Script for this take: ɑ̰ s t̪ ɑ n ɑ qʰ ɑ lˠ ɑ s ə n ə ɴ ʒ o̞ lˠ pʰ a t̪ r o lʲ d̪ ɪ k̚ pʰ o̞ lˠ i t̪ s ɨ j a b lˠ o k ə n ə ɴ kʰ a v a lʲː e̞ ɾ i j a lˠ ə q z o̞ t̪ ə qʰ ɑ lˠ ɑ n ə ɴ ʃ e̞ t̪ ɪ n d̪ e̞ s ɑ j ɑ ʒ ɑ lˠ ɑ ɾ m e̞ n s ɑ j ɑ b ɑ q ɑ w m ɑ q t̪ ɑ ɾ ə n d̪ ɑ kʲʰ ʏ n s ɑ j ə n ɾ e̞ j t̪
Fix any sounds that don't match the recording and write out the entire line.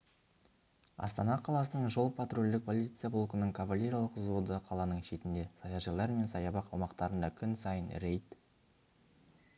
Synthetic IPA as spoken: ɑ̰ s t̪ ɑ n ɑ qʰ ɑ lˠ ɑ s ə n ə ɴ ʒ o̞ lˠ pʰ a t̪ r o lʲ d̪ ɪ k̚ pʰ o̞ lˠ i t̪ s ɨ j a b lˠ o k ə n ə ɴ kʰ a v a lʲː e̞ ɾ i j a lˠ ə q z o̞ d̪ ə qʰ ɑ lˠ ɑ n ə ɴ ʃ e̞ t̪ ɪ n d̪ e̞ s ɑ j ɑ ʒ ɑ lˠ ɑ ɾ m e̞ n s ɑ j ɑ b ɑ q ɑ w m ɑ q t̪ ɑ ɾ ə n d̪ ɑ kʲʰ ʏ n s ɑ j ə n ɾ e̞ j t̪